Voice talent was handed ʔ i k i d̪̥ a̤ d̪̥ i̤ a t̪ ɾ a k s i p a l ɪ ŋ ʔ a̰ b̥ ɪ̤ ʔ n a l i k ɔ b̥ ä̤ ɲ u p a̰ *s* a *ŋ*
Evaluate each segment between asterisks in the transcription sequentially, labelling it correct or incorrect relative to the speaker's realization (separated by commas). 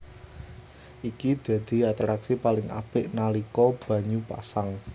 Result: correct, correct